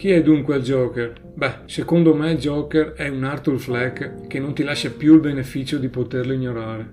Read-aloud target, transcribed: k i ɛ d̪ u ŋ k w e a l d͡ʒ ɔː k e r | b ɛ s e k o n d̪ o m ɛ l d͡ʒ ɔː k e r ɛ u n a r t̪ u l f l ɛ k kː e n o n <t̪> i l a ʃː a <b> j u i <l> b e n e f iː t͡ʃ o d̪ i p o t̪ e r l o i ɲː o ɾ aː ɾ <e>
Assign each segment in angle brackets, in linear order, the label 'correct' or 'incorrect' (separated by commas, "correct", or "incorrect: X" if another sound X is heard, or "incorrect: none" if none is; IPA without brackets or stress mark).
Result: correct, incorrect: p, correct, correct